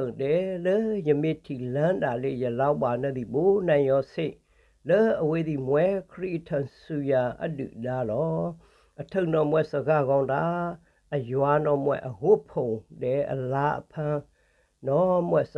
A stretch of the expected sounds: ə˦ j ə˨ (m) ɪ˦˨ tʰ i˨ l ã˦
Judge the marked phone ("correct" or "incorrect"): correct